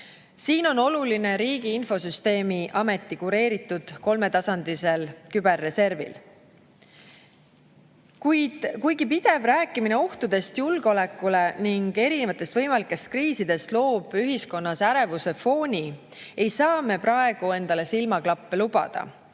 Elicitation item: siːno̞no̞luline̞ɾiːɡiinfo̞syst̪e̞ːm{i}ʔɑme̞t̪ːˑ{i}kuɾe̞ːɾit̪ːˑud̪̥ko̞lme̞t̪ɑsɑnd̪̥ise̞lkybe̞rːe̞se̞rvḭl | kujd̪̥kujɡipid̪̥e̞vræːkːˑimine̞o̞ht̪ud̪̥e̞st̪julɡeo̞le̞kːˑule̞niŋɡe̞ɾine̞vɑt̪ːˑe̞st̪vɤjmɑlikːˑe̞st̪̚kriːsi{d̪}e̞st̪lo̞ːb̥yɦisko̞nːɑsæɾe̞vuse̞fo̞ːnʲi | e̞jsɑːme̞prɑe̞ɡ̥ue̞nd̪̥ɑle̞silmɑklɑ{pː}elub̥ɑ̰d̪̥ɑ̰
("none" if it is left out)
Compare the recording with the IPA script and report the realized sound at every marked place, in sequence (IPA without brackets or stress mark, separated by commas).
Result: i, i, d̪, pː